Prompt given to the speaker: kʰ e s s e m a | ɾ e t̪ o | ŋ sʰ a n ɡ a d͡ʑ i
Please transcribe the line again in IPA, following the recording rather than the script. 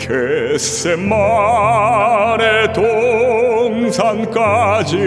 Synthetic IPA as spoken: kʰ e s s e m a | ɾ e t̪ o | ŋ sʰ a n k a d͡ʑ i